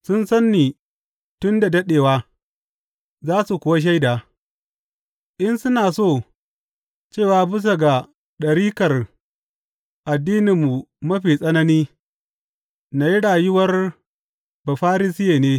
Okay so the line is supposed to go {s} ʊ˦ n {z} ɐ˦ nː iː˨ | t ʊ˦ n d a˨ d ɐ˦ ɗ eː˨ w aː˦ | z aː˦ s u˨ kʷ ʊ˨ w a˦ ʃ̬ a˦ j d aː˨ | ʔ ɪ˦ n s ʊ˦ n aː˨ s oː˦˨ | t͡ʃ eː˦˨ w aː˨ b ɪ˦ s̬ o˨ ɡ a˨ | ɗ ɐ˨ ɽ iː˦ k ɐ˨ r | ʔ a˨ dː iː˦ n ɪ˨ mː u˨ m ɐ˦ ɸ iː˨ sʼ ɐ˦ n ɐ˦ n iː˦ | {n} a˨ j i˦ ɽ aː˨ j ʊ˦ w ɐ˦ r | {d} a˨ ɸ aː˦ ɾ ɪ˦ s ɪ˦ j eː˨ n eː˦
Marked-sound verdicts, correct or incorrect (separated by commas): correct, incorrect, correct, incorrect